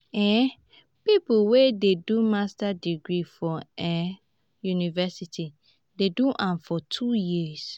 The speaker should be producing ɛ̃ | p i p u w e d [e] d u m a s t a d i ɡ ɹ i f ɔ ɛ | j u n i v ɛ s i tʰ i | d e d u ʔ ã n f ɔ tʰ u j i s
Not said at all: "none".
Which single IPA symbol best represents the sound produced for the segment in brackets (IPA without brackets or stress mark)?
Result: e